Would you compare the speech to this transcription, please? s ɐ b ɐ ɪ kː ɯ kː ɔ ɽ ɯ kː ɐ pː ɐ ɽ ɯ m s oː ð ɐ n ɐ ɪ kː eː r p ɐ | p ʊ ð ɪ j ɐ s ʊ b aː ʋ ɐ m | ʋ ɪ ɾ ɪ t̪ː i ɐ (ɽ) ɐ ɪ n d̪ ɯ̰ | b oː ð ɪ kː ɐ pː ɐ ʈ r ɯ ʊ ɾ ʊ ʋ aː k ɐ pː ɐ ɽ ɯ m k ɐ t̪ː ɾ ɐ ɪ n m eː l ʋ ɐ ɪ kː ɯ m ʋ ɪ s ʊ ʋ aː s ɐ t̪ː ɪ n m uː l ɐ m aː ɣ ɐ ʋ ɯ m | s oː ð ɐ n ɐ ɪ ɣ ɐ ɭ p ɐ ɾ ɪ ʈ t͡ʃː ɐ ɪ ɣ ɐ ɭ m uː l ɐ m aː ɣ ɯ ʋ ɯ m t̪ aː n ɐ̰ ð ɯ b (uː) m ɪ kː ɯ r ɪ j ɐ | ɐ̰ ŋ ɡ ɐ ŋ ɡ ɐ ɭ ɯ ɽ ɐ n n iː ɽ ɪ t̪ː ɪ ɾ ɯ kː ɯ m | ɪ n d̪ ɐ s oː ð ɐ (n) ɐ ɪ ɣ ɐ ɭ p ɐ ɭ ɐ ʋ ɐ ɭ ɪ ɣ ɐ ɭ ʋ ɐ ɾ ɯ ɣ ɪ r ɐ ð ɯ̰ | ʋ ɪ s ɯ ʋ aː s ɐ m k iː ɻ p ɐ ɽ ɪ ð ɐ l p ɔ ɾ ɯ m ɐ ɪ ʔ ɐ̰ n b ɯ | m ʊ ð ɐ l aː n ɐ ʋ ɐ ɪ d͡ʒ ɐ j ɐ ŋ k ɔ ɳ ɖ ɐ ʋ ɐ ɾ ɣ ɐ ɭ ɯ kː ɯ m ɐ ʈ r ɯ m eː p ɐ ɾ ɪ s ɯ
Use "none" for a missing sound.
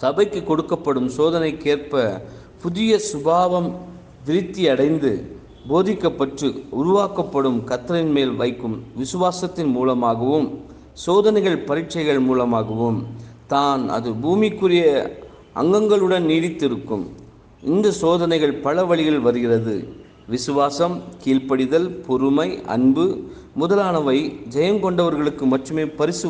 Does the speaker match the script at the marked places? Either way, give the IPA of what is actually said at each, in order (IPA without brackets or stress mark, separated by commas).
ɽ, uː, n